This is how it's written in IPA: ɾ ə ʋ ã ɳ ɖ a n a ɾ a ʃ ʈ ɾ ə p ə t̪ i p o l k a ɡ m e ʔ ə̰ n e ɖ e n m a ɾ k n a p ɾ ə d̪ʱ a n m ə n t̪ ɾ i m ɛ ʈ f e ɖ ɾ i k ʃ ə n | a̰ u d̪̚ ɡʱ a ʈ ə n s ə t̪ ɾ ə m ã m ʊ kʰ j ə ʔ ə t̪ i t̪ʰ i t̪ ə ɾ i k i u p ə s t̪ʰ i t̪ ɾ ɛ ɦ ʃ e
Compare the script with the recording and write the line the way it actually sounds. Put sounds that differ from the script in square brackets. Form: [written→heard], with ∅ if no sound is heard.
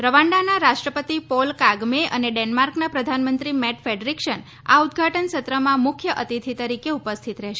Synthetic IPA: ɾ ə ʋ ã ɳ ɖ a n a ɾ a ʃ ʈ ɾ ə p ə t̪ i p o l k a ɡ m e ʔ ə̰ n e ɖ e n m a ɾ k n a p ɾ ə d̪ʱ a n m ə n t̪ ɾ i m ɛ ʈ f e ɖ ɾ i k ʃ ə n | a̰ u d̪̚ ɡʱ a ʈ ə n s ə t̪ ɾ ə m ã m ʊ kʰ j ə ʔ ə t̪ i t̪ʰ i t̪ ə ɾ i k [i→e] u p ə s t̪ʰ i t̪ ɾ ɛ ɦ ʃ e